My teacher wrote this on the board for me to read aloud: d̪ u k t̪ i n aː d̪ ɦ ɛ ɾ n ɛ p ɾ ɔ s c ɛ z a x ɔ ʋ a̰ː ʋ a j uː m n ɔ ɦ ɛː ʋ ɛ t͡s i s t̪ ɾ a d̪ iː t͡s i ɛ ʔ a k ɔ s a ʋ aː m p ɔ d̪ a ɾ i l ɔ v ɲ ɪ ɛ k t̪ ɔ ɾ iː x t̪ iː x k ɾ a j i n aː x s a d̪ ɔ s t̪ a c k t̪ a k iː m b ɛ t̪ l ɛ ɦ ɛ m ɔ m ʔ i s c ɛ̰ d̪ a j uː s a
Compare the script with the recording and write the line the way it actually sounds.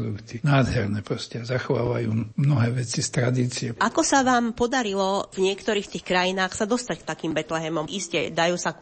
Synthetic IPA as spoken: d̪ u k t̪ i n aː d̪ ɦ ɛ ɾ n ɛ p ɾ ɔ s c ɛ z a x ɔ ʋ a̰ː ʋ a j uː m n ɔ ɦ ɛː ʋ ɛ t͡s i s t̪ ɾ a d̪ iː t͡s i ɛ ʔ a k ɔ s a ʋ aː m p ɔ d̪ a ɾ i l ɔ v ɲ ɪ ɛ k t̪ ɔ ɾ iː x t̪ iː x k ɾ a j i n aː x s a d̪ ɔ s t̪ a c k t̪ a k iː m b ɛ t̪ l ɛ ɦ ɛ m ɔ m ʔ i s c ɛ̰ d̪ a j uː s a